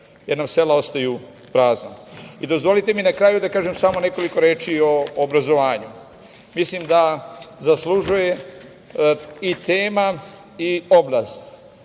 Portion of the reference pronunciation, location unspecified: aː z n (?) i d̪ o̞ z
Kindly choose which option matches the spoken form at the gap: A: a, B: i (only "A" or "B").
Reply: A